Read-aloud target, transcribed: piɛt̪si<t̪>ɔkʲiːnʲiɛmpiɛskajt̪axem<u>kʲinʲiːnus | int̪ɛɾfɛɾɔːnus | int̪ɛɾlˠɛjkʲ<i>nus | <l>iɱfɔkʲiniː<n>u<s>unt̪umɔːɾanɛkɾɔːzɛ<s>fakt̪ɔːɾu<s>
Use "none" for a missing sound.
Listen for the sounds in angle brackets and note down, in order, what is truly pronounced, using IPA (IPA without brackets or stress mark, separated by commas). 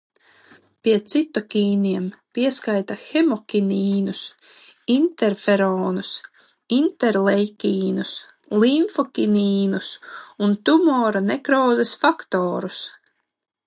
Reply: t̪, ɔ, iː, l, n, s, s, s